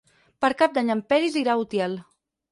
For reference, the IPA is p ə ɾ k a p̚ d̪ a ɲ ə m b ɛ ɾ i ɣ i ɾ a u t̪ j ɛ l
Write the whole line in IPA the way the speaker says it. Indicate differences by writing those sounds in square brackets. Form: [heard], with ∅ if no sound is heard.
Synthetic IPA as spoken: p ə ɾ k a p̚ d̪ a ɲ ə m [p] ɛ ɾ i [z] i ɾ a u t̪ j ɛ l